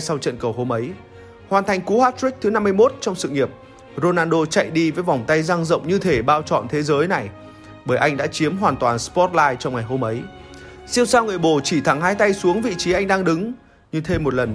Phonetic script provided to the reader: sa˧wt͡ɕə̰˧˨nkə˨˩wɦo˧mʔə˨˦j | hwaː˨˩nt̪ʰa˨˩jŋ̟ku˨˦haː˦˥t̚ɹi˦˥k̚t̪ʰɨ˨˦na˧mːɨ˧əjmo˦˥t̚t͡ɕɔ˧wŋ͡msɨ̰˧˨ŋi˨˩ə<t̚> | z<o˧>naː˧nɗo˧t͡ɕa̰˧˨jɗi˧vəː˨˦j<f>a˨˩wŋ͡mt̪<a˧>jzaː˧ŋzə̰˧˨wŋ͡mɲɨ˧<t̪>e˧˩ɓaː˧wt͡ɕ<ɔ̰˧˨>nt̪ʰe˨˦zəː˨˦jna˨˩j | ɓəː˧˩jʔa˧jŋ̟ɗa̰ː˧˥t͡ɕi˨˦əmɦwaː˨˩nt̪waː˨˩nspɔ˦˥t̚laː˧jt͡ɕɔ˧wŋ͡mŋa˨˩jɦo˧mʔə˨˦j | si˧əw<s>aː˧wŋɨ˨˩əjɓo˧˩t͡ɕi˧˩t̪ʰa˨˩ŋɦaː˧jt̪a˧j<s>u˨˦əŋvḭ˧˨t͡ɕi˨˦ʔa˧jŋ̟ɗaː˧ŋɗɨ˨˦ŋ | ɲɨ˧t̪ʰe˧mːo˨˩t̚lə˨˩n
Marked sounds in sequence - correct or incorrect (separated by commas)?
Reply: incorrect, correct, incorrect, correct, incorrect, correct, correct, correct